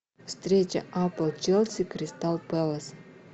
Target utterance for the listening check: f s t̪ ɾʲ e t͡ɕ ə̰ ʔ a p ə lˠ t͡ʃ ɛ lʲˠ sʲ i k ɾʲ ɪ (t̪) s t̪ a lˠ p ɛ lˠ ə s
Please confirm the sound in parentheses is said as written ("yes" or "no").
no